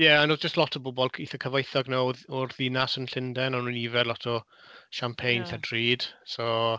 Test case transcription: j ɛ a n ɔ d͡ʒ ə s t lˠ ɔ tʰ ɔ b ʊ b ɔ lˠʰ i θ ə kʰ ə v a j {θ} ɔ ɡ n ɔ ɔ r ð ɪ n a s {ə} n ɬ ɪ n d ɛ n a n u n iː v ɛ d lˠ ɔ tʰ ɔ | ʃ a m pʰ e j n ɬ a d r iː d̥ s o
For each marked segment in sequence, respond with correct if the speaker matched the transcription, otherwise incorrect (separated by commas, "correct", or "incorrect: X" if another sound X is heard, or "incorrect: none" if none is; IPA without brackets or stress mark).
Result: correct, correct